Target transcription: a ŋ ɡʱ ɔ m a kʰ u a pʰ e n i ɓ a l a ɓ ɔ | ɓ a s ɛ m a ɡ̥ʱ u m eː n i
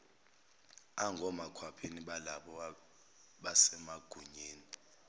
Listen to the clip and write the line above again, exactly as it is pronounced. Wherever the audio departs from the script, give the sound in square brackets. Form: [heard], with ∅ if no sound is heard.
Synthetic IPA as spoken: a ŋ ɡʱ ɔ m a kʰ [w] a pʰ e n i ɓ a l a ɓ ɔ | ɓ a s ɛ m a ɡ̥ʱ u [ɲ] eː n i